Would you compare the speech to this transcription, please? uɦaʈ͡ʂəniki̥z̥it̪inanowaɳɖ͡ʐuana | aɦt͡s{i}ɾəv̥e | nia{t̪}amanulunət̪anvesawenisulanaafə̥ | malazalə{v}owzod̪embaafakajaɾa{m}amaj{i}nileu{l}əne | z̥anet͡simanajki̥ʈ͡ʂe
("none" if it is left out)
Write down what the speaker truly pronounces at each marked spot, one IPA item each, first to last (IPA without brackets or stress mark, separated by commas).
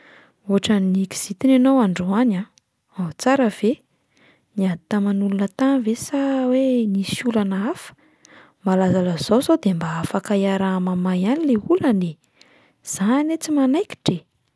a, t̪, z, m, a, l